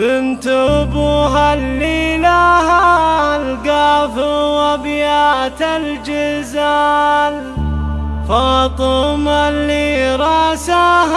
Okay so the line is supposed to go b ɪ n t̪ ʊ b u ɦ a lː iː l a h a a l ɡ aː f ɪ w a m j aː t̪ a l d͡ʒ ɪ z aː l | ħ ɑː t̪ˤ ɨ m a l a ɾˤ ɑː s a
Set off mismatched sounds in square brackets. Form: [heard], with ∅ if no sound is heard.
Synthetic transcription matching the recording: b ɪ n t̪ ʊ b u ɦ a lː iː l a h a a l ɡ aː f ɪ w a [b] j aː t̪ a l d͡ʒ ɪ z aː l | [f] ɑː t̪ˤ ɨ m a l [i] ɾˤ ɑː s a

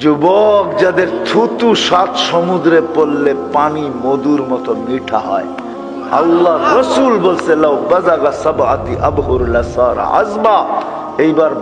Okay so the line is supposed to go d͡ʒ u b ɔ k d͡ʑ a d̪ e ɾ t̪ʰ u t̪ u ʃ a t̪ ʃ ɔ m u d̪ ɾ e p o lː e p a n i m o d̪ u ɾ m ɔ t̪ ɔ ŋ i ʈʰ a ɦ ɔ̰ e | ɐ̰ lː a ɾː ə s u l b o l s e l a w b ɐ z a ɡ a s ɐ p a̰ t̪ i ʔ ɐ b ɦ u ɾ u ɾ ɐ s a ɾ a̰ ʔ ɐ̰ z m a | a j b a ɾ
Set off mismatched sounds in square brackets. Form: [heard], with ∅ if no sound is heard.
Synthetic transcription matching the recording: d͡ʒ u b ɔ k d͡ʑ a d̪ e ɾ t̪ʰ u t̪ u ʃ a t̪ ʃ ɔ m u d̪ ɾ e p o lː e p a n i m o d̪ u ɾ m ɔ t̪ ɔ [m] i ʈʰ a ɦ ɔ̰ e | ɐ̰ lː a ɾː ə s u l b o l s e l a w b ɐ z a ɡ a s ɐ [b] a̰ t̪ i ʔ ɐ b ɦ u ɾ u [l] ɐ s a ɾ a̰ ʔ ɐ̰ z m a | [e] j b a ɾ

